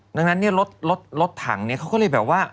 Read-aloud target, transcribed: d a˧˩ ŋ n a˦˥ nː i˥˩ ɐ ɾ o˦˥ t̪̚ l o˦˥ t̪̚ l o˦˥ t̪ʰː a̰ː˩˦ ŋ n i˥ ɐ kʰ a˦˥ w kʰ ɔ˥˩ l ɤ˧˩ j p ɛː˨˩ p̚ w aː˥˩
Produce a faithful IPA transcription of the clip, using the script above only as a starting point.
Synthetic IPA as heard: d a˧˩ ŋ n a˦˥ nː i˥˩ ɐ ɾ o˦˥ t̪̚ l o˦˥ t̪̚ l o˦˥ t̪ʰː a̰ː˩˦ ŋ n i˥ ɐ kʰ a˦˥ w k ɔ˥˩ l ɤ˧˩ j b ɛː˨˩ p̚ w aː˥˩